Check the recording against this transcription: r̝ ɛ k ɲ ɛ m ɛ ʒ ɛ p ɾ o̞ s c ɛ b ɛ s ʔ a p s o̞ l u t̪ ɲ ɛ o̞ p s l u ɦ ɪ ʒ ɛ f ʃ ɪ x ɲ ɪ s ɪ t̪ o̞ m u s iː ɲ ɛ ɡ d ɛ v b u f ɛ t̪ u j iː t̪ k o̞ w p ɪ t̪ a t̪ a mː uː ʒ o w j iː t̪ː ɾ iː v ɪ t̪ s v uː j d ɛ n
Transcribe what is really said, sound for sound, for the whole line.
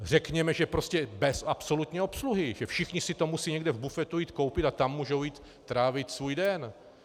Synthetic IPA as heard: r̝ ɛ k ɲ ɛ m ɛ ʒ ɛ p ɾ o̞ s c ɛ b ɛ s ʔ a p s o̞ l u t̪ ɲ ɛ o̞ p s l u ɦ ɪ ʒ ɛ f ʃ ɪ x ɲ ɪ s ɪ t̪ o̞ m u s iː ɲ ɛ ɡ d ɛ v b u f ɛ t̪ u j iː t̪ k o̞ w p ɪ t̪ a t̪ a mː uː ʒ o w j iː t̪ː ɾ aː v ɪ t̪ s v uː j d ɛ n

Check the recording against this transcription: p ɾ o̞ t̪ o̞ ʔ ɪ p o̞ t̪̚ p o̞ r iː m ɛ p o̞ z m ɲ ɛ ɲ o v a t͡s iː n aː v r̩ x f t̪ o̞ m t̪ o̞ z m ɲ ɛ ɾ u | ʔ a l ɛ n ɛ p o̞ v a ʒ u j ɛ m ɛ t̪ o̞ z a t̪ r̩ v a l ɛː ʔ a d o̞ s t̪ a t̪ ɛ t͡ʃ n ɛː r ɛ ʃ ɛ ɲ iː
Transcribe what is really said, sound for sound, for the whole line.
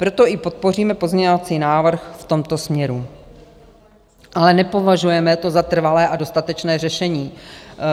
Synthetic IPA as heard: p ɾ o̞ t̪ o̞ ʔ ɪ p o̞ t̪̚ p o̞ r iː m ɛ p o̞ z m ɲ ɛ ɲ o v a t͡s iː n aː v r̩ x f t̪ o̞ m t̪ o̞ s m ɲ ɛ ɾ u | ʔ a l ɛ n ɛ p o̞ v a ʒ u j ɛ m ɛ t̪ o̞ z a t̪ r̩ v a l ɛː ʔ a d o̞ s t̪ a t̪ ɛ t͡ʃ n ɛː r ɛ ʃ ɛ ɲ iː

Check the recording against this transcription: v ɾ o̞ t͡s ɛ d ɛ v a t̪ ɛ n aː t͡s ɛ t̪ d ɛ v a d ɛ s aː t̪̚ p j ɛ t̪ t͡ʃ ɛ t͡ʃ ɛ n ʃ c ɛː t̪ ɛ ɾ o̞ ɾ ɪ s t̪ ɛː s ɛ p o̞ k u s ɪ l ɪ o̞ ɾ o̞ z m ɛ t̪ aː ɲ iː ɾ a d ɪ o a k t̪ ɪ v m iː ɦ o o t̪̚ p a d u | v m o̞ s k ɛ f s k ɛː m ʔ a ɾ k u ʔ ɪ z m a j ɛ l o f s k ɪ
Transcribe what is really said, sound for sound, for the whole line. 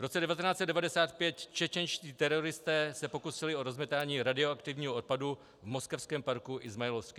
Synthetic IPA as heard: v ɾ o̞ t͡s ɛ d ɛ v a t̪ ɛ n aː t͡s ɛ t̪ d ɛ v a d ɛ s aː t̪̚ p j ɛ t̪ t͡ʃ ɛ t͡ʃ ɛ n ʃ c iː t̪ ɛ ɾ o̞ ɾ ɪ s t̪ ɛː s ɛ p o̞ k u s ɪ l ɪ o̞ ɾ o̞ z m ɛ t̪ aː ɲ iː ɾ a d ɪ o a k t̪ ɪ v ɲ iː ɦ o o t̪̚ p a d u | v m o̞ s k ɛ f s k ɛː m p a ɾ k u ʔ ɪ z m a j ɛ l o f s k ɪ

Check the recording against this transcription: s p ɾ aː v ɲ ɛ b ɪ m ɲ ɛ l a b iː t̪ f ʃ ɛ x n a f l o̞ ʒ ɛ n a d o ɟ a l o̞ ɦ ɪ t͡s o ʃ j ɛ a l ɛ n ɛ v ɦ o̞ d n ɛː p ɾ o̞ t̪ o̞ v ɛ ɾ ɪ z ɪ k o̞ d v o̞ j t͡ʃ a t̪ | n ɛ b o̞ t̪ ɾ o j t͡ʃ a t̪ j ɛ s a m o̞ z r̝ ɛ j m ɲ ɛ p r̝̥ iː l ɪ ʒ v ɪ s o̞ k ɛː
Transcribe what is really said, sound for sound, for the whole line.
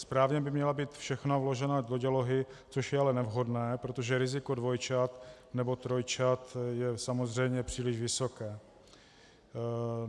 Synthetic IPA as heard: s p ɾ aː v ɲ ɛ b ɪ m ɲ ɛ l a b iː t̪ f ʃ ɛ x n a v l o̞ ʒ ɛ n a d o ɟ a l o̞ ɦ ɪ t͡s o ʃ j ɛ a l ɛ n ɛ v ɦ o̞ d n ɛː p ɾ o̞ t̪ o̞ ʒ ɛ ɾ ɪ z ɪ k o̞ d v o̞ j t͡ʃ a t̪ | n ɛ b o̞ t̪ ɾ o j t͡ʃ a t̪ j ɛ s a m o̞ z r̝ ɛ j m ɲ ɛ p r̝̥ iː l ɪ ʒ v ɪ s o̞ k ɛː

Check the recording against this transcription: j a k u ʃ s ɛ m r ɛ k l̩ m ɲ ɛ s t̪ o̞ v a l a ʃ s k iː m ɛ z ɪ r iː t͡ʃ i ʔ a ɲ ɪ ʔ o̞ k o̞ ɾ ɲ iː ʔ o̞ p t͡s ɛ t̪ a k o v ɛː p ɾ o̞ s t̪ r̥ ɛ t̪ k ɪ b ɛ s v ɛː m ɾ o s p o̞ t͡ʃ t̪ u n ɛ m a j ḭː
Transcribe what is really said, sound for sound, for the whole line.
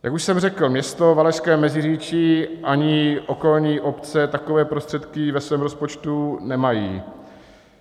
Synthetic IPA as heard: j a k u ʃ s ɛ m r ɛ k l̩ m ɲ ɛ s t̪ o̞ v a l ɛ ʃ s k ɛː m ɛ z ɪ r iː t͡ʃ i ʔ a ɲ ɪ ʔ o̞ k o̞ l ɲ iː ʔ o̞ p t͡s ɛ t̪ a k o v ɛː p ɾ o̞ s t̪ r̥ ɛ t̪ k ɪ v ɛ s v ɛː m ɾ o s p o̞ t͡ʃ t̪ u n ɛ m a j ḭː

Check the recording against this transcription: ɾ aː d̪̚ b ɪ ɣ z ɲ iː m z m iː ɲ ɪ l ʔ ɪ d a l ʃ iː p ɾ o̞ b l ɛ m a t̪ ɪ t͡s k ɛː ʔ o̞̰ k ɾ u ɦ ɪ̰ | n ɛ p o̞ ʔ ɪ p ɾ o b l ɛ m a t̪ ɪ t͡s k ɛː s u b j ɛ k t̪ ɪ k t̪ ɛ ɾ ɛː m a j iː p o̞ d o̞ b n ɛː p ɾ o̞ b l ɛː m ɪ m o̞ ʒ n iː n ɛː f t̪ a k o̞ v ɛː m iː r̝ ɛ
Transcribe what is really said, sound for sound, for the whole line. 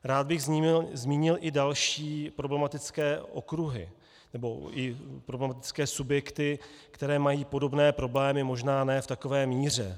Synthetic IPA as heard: ɾ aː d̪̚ b ɪ ɣ z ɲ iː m z m iː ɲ ɪ l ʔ ɪ d a l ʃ iː p ɾ o̞ b l ɛ m a t̪ ɪ t͡s k ɛː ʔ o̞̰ k ɾ u ɦ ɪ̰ | n ɛ b o̞ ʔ ɪ p ɾ o b l ɛ m a t̪ ɪ t͡s k ɛː s u b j ɛ k t̪ ɪ k t̪ ɛ ɾ ɛː m a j iː p o̞ d o̞ b n ɛː p ɾ o̞ b l ɛː m ɪ m o̞ ʒ n aː n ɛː f t̪ a k o̞ v ɛː m iː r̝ ɛ

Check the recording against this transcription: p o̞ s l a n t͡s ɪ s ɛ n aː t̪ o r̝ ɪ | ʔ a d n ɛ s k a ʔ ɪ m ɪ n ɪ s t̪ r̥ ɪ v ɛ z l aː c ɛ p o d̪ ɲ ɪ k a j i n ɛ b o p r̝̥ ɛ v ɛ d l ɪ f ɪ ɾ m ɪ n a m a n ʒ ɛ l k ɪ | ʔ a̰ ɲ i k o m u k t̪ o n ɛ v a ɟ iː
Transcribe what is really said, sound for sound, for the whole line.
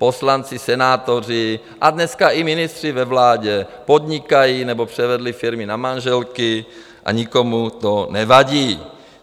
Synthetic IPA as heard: p o̞ s l a n t͡s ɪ s ɛ n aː t̪ o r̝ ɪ | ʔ a d n ɛ s k a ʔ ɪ m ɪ n ɪ s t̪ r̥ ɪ v ɛ v l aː ɟ ɛ p o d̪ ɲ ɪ k a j i n ɛ b o p r̝̥ ɛ v ɛ d l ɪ f ɪ ɾ m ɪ n a m a n ʒ ɛ l k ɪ | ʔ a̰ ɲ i k o m u t̪ o n ɛ v a ɟ iː

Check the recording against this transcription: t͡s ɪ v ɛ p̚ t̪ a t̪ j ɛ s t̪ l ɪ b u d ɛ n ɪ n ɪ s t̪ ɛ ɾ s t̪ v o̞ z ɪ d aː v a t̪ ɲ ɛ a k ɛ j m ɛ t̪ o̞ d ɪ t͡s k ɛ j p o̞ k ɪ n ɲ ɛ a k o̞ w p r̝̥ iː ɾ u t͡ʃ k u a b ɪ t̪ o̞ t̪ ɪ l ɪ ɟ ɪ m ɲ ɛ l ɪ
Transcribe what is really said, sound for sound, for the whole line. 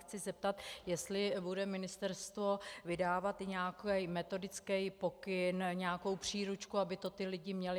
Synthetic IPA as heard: t͡s ɪ z ɛ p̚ t̪ a t̪ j ɛ s t̪ l ɪ b u d ɛ m ɪ n ɪ s t̪ ɛ ɾ s t̪ v o̞ v ɪ d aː v a t̪ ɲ ɛ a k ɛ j m ɛ t̪ o̞ d ɪ t͡s k ɛ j p o̞ k ɪ n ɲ ɛ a k o̞ w p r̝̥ iː ɾ u t͡ʃ k u a b ɪ t̪ o̞ t̪ ɪ l ɪ ɟ ɪ m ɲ ɛ l ɪ

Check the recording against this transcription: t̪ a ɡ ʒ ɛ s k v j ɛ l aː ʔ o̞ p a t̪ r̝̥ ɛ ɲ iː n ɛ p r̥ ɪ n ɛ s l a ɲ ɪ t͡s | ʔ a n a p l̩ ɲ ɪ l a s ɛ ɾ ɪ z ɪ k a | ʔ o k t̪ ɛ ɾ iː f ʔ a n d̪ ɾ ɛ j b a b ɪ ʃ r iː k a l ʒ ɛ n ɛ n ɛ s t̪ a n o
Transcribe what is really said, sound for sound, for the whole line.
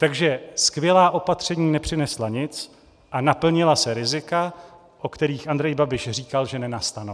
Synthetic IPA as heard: t̪ a ɡ ʒ ɛ s k v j ɛ l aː ʔ o̞ p a t̪ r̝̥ ɛ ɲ iː n ɛ p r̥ ɪ n ɛ s l a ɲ ɪ t͡s | ʔ a n a p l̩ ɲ ɪ l a s ɛ ɾ ɪ z ɪ k a | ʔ o k t̪ ɛ ɾ iː x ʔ a n d̪ ɾ ɛ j b a b ɪ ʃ r iː k a l ʒ ɛ n ɛ n a s t̪ a n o

